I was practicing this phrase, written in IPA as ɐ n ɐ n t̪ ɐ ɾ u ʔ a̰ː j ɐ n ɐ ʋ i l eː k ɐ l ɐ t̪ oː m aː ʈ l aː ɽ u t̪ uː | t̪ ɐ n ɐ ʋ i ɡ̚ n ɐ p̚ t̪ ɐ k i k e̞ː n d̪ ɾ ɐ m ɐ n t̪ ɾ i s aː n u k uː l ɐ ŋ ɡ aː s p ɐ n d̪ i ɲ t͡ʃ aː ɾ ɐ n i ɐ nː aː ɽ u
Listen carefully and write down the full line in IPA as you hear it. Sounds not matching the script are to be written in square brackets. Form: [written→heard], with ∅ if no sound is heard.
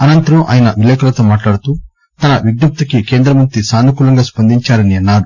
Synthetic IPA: ɐ n ɐ n t̪ ɐ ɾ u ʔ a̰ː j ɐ n ɐ ʋ i l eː k ɐ l ɐ t̪ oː m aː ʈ l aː ɽ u t̪ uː | t̪ ɐ n ɐ ʋ i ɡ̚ n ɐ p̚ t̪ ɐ k i k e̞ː n d̪ ɾ ɐ m ɐ n t̪ ɾ i s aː n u k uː l ɐ ŋ ɡ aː s p ɐ n d̪ i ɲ t͡ʃ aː ɾ ɐ n i ɐ nː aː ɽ u

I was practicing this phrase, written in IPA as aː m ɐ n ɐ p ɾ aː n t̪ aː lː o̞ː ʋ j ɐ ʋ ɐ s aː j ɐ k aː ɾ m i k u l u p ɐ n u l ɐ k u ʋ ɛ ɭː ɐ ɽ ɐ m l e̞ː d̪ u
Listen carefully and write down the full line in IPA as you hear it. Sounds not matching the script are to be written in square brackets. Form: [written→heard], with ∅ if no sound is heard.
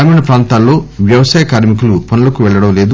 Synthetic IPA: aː m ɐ n ɐ p ɾ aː n t̪ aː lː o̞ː ʋ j ɐ ʋ ɐ s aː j ɐ k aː ɾ m i k u l u p ɐ n u l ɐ k u ʋ ɛ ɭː ɐ ɽ ɐ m l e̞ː d̪ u

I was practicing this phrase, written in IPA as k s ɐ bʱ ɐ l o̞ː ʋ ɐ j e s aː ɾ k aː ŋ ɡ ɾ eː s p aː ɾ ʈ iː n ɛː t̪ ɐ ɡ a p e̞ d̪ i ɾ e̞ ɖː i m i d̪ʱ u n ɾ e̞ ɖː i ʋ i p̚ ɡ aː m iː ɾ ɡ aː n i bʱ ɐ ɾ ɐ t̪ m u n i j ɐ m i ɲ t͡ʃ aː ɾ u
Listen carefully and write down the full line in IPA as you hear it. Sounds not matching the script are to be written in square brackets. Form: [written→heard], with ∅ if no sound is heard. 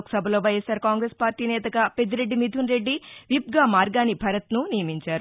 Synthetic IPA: k s ɐ bʱ ɐ l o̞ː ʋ ɐ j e s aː ɾ k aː ŋ ɡ ɾ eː s p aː ɾ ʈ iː n ɛː t̪ ɐ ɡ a p e̞ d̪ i ɾ e̞ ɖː i m i d̪ʱ u n ɾ e̞ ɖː i ʋ i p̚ ɡ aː m [iː→aː] ɾ ɡ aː n i bʱ ɐ ɾ ɐ t̪ [m→n] u n i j ɐ m i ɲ t͡ʃ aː ɾ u

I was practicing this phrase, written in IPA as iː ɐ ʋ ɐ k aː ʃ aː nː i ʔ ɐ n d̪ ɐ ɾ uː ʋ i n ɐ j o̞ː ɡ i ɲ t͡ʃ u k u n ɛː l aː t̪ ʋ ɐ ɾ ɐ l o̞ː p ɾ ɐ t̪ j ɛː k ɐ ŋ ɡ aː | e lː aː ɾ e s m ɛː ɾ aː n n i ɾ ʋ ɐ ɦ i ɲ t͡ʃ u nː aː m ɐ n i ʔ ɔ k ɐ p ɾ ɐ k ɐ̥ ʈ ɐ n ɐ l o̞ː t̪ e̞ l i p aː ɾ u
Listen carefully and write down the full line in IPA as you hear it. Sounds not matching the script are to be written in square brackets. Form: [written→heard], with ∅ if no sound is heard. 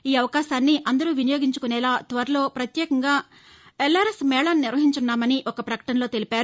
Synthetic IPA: iː ɐ ʋ ɐ k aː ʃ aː nː i ʔ ɐ n d̪ ɐ ɾ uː ʋ i n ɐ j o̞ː ɡ i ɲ t͡ʃ u k u n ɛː l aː t̪ ʋ ɐ ɾ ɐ l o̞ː p ɾ ɐ t̪ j ɛː k ɐ ŋ ɡ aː | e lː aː ɾ e s m ɛː [ɾ→ɭ] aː n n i ɾ ʋ ɐ ɦ i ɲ t͡ʃ u nː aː m ɐ n i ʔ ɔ k ɐ p ɾ ɐ k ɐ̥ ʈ ɐ n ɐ l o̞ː t̪ e̞ l i p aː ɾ u

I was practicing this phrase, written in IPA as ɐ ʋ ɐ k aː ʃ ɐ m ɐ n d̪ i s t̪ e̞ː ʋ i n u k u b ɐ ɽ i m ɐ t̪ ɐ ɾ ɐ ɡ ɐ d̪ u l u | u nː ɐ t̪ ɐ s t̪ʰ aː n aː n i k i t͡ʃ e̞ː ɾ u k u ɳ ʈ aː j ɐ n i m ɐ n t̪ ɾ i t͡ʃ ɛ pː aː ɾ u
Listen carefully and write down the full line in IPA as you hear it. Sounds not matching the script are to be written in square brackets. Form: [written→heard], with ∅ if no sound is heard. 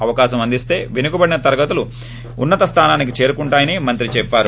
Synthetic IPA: ɐ ʋ ɐ k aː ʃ ɐ m ɐ n d̪ i s t̪ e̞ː ʋ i n u k u b ɐ ɽ i [m→n] ɐ t̪ ɐ ɾ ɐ ɡ ɐ [d̪→t̪] u l u | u nː ɐ t̪ ɐ s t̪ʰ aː n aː n i k i t͡ʃ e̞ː ɾ u k u ɳ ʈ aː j ɐ n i m ɐ n t̪ ɾ i t͡ʃ ɛ pː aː ɾ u

